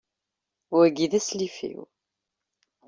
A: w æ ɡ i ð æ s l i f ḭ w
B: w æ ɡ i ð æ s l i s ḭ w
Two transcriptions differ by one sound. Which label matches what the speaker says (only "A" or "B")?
A